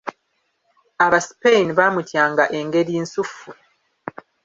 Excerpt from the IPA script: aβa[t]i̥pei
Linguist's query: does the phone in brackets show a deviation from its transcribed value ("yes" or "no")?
yes